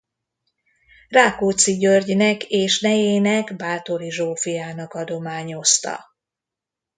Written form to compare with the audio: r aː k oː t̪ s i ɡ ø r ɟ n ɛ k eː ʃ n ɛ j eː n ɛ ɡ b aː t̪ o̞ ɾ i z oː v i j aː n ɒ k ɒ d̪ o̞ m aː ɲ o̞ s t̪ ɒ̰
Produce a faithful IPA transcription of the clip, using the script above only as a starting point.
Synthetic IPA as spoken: r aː k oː t̪ s i ɟ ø r ɟ n ɛ k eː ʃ n ɛ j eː n ɛ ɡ b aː t̪ o̞ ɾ i ʒ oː f i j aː n ɒ k ɒ d̪ o̞ m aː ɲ o̞ s t̪ ɒ̰

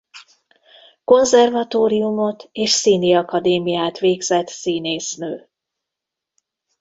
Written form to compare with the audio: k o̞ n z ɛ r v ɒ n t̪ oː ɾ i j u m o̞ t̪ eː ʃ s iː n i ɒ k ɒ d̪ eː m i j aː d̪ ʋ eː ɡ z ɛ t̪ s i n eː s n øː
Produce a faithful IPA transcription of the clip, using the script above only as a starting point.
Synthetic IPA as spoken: k o̞ n z ɛ r v ɒ t̪ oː ɾ i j u m o̞ t̪ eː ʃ s iː n i ɒ k ɒ d̪ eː m i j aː t̪ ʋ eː ɡ z ɛ t̪ s iː n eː s n øː

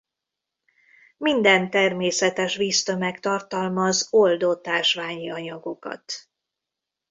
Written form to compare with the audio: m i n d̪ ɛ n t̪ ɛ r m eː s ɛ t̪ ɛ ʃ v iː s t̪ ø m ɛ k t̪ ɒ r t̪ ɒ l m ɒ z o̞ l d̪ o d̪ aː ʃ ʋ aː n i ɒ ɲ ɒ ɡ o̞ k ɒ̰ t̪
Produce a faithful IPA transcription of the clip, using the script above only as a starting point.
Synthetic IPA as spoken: m i n d̪ ɛ n t̪ ɛ r m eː s ɛ t̪ ɛ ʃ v iː s t̪ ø m ɛ k t̪ ɒ r t̪ ɒ l m ɒ z o̞ l d̪ o t̪ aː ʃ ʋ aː ɲ i ɒ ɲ ɒ ɡ o̞ k ɒ̰ t̪

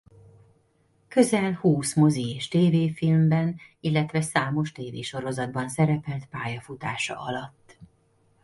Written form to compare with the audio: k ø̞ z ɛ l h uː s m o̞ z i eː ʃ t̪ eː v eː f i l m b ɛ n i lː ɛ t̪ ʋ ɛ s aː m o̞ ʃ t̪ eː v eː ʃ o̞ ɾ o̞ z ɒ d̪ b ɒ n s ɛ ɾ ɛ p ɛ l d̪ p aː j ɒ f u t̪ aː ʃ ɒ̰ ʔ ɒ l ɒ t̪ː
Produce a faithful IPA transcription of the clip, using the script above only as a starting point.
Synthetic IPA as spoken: k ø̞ z ɛ l h uː s m o̞ z i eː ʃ t̪ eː v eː f i l m b ɛ n i lː ɛ t̪ ʋ ɛ s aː m o̞ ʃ t̪ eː v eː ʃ o̞ ɾ o̞ z ɒ d̪ b ɒ n s ɛ ɾ ɛ p ɛ l t̪ p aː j ɒ f u t̪ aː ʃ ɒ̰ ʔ ɒ l ɒ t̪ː

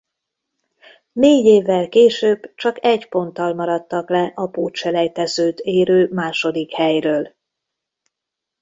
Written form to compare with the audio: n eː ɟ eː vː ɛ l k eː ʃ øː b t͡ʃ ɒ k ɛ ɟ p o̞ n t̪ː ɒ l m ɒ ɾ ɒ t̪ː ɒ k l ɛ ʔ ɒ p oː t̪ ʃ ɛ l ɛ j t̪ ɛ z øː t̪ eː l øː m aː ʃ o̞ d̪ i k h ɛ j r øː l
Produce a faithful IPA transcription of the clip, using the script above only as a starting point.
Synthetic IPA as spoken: n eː ɟ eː vː ɛ l k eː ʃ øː b t͡ʃ ɒ k ɛ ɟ p o̞ n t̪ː ɒ l m ɒ ɾ ɒ t̪ː ɒ k l ɛ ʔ ɒ p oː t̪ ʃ ɛ l ɛ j t̪ ɛ z øː t̪ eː ɾ øː m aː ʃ o̞ d̪ i k h ɛ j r øː l

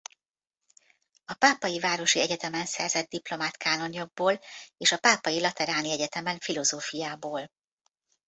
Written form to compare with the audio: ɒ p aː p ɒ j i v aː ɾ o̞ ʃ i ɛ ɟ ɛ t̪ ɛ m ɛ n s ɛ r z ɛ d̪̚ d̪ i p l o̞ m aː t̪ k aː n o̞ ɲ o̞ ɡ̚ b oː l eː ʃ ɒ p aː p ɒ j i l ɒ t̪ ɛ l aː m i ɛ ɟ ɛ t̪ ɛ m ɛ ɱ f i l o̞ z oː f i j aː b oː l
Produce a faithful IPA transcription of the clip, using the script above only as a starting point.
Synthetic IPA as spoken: ɒ p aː p ɒ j i v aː ɾ o̞ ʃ i ɛ ɟ ɛ t̪ ɛ m ɛ n s ɛ r z ɛ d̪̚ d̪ i p l o̞ m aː t̪ k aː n o̞ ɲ o̞ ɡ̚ b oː l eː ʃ ɒ p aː p ɒ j i l ɒ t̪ ɛ ɾ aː n i ɛ ɟ ɛ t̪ ɛ m ɛ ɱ f i l o̞ z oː f i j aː b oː l

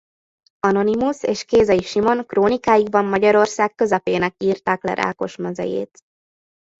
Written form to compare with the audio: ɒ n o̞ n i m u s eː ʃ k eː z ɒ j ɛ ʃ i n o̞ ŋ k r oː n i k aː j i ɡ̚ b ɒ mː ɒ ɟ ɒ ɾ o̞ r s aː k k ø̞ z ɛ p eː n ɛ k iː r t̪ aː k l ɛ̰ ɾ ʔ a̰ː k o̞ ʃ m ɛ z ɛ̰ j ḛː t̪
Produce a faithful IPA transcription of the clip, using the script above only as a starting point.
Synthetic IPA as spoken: ɒ n o̞ n i m u s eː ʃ k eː z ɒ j i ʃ i m o̞ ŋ k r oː n i k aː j i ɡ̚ b ɒ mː ɒ ɟ ɒ ɾ o̞ r s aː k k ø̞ z ɛ p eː n ɛ k iː r t̪ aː k l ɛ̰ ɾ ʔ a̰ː k o̞ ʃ m ɛ z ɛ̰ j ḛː t̪

